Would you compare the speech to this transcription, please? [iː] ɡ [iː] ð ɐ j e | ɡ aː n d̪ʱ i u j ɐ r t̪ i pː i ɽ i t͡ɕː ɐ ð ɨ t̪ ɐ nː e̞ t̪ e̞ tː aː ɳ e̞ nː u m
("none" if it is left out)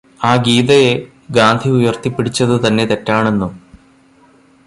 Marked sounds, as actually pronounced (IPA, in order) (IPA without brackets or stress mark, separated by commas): aː, iː